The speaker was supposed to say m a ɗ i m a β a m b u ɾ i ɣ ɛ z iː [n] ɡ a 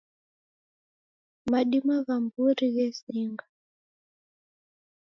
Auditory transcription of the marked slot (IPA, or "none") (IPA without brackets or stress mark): ŋ